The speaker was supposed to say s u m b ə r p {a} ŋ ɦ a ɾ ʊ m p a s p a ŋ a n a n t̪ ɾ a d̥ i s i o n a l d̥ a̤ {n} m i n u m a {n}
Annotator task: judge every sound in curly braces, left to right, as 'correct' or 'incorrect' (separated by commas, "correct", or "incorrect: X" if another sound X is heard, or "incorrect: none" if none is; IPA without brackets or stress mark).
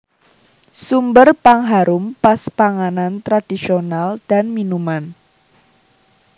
correct, correct, correct